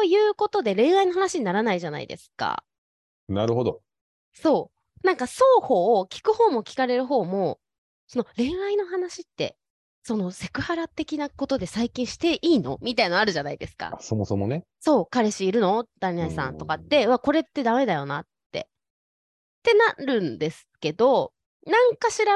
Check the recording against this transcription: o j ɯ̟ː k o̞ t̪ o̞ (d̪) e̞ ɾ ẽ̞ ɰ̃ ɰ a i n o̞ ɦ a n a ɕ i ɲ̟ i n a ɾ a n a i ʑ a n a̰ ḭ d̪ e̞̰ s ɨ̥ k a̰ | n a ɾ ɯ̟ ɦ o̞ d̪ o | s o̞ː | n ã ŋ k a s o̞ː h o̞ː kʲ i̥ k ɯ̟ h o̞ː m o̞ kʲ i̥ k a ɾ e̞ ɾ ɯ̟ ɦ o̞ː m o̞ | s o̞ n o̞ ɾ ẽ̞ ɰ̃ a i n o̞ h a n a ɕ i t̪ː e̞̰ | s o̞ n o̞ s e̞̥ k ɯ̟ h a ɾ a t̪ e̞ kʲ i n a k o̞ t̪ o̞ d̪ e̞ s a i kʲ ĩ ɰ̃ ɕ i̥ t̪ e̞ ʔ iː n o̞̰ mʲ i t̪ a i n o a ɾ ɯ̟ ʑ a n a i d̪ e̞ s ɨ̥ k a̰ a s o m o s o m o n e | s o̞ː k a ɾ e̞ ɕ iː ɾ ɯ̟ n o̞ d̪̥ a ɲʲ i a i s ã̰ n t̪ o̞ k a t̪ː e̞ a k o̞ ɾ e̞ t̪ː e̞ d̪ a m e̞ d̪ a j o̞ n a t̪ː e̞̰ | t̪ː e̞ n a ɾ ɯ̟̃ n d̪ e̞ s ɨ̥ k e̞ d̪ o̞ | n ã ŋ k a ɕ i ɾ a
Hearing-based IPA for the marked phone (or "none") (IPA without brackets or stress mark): d̪